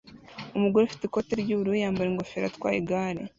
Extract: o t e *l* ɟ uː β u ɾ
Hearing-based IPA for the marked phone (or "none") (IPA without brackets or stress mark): ɾ